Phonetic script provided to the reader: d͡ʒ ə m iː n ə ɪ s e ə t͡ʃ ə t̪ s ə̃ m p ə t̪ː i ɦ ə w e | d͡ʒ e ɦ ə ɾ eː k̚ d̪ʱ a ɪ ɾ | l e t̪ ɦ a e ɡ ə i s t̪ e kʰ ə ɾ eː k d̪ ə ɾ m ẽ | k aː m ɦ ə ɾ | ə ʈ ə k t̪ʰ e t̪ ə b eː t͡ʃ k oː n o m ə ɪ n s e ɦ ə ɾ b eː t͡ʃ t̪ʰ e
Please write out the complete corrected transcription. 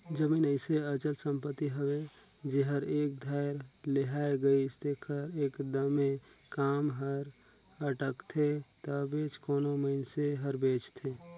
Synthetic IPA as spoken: d͡ʒ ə m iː n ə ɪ s e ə t͡ʃ ə t̪ s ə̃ m p ə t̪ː i ɦ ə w e | d͡ʒ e ɦ ə ɾ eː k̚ d̪ʱ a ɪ ɾ | l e ɦ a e ɡ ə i s t̪ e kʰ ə ɾ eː k d̪ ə m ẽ | k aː m ɦ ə ɾ | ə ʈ ə k t̪ʰ e t̪ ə b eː t͡ʃ k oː n o m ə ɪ n s e ɦ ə ɾ b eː t͡ʃ t̪ʰ e

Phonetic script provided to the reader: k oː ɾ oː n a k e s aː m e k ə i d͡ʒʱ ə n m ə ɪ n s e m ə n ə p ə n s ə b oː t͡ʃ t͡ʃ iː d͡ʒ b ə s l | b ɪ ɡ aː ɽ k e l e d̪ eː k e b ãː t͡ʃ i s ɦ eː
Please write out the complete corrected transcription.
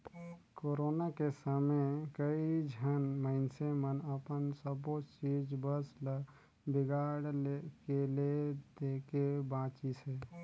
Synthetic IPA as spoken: k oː ɾ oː n a k e s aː m e k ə i d͡ʒʱ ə n m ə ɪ n s e m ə n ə p ə n s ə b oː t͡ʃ t͡ʃ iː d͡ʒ b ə s l | b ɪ ɡ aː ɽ k e l e d̪ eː k e b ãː t͡ʃ i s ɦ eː

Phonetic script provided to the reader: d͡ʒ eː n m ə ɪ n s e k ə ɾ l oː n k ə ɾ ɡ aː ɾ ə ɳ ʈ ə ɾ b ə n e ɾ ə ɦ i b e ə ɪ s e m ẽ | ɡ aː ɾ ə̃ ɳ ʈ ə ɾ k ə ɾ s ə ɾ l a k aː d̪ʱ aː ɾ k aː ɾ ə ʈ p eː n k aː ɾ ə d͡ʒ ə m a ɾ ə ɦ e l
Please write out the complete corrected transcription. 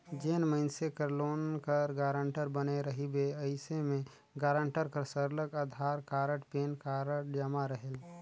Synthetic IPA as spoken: d͡ʒ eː n m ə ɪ n s e k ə ɾ l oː n k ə ɾ ɡ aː ɾ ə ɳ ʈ ə ɾ b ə n e ɾ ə ɦ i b e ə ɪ s e m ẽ | ɡ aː ɾ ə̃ ɳ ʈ ə ɾ k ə ɾ s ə ɾ l ə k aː d̪ʱ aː ɾ k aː ɾ ə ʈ p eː n k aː ɾ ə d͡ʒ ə m a ɾ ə ɦ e l

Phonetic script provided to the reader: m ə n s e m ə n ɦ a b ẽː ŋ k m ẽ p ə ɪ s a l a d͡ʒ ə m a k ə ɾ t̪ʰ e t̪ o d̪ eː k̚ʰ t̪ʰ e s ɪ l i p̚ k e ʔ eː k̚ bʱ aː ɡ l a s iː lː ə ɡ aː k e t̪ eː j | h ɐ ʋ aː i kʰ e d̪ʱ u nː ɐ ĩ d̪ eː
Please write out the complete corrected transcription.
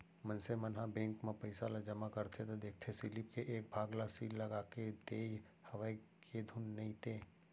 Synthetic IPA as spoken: m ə n s e m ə n ɦ a b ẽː ŋ k m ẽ p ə ɪ s a l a d͡ʒ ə m a k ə ɾ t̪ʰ e t̪ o d̪ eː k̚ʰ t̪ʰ e s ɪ l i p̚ k e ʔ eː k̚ bʱ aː ɡ l a s iː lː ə ɡ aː k e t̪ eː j | h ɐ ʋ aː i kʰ e d̪ʱ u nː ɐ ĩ t̪ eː

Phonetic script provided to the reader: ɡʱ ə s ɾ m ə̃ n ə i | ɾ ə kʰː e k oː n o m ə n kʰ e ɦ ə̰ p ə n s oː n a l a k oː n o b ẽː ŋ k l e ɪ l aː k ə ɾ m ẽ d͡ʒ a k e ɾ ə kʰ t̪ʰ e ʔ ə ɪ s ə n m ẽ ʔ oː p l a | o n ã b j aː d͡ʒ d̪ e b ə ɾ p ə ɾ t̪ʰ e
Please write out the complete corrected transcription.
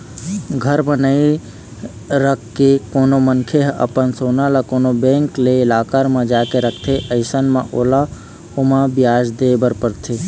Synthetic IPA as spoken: ɡʱ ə ɾ m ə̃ n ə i | ɾ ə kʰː e k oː n o m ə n kʰ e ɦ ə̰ p ə n s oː n a l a k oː n o b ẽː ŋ k l e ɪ l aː k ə ɾ m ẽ d͡ʒ a k e ɾ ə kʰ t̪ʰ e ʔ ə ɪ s ə n m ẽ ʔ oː l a | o m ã b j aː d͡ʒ d̪ e b ə ɾ p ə ɾ t̪ʰ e

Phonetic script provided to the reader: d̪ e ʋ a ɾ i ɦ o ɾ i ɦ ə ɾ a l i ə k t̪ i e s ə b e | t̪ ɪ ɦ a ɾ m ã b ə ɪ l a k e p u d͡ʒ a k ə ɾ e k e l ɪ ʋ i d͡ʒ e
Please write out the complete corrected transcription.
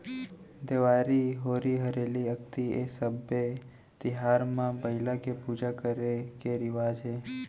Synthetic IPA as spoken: d̪ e ʋ a ɾ i ɦ o ɾ i ɦ ə ɾ e l i ə k t̪ i e s ə b e | t̪ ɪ ɦ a ɾ m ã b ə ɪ l a k e p u d͡ʒ a k ə ɾ e k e ɾ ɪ ʋ a d͡ʒ e

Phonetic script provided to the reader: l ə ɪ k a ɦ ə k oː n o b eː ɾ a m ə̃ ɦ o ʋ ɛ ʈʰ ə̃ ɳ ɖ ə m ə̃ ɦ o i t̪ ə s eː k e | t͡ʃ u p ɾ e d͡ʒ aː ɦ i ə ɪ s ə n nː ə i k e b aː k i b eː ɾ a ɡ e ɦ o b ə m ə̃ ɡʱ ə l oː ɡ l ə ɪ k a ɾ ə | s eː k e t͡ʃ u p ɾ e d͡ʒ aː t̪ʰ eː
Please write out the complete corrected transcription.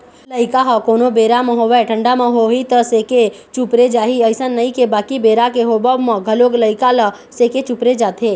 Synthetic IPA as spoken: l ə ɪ k a ɦ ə k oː n o b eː ɾ a m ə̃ ɦ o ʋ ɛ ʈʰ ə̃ ɳ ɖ a m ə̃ ɦ o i t̪ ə s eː k e | t͡ʃ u p ɾ e d͡ʒ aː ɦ i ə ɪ s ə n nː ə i k e b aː k i b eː ɾ a k e ɦ o b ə m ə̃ ɡʱ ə l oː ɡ l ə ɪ k a l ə | s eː k e t͡ʃ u p ɾ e d͡ʒ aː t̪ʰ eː

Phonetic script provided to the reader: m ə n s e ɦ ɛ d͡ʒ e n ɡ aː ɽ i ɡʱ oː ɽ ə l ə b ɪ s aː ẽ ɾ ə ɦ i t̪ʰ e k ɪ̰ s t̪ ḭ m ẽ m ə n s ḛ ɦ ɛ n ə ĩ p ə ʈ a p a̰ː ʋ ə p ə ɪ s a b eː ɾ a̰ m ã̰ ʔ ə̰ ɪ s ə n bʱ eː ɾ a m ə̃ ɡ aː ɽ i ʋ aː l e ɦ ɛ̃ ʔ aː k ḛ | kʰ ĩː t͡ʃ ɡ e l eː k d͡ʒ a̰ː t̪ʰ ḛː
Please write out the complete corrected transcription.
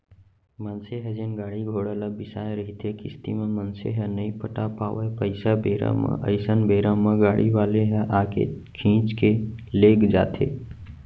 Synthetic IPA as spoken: m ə n s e ɦ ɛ d͡ʒ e n ɡ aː ɽ i ɡʱ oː ɽ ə l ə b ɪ s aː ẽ ɾ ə ɦ i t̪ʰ e k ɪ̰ s t̪ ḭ m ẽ m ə n s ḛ ɦ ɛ n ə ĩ p ə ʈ a p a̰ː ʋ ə p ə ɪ s a b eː ɾ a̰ m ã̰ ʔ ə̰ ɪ s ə n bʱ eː ɾ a m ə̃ ɡ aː ɽ i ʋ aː l e ɦ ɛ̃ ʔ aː k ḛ | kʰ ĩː t͡ʃ k e l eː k d͡ʒ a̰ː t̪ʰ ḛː

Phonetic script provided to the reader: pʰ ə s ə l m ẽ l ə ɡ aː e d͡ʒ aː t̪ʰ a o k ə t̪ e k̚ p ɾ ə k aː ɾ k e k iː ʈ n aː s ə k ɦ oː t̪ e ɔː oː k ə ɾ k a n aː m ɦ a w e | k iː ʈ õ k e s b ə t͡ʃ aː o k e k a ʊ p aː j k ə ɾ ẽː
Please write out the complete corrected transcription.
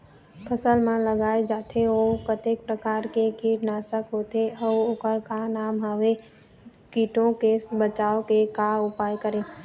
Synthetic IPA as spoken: pʰ ə s ə l m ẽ l ə ɡ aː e d͡ʒ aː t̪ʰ e o k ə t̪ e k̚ p ɾ ə k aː ɾ k e k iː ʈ n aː s ə k ɦ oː t̪ e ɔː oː k ə ɾ k a n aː m ɦ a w e | k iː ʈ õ k e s b ə t͡ʃ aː o k e k a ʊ p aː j k ə ɾ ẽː

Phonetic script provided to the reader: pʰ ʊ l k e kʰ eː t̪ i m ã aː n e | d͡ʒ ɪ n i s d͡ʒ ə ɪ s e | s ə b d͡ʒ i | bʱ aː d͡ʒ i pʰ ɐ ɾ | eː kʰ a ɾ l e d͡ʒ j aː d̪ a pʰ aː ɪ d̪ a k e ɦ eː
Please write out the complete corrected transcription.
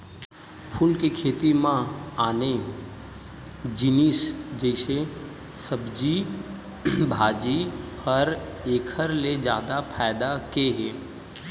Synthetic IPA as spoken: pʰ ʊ l k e kʰ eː t̪ i m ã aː n e | d͡ʒ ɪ n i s d͡ʒ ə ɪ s e | s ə b d͡ʒ i | bʱ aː d͡ʒ i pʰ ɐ ɾ | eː kʰ ə ɾ l e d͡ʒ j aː d̪ a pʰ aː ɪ d̪ a k e ɦ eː

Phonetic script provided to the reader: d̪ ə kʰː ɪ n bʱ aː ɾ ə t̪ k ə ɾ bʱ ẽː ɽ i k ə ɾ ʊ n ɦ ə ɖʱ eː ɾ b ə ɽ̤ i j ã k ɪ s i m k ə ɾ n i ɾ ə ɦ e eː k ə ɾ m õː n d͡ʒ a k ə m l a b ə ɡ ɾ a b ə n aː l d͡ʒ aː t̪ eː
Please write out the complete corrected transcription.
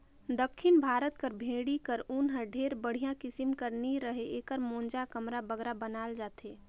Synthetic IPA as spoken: d̪ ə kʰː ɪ n bʱ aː ɾ ə t̪ k ə ɾ bʱ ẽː ɽ i k ə ɾ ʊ n ɦ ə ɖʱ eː ɾ b ə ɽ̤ i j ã k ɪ s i m k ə ɾ n i ɾ ə ɦ e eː k ə ɾ m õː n d͡ʒ a k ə m ɾ a b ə ɡ ɾ a b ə n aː l d͡ʒ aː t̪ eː

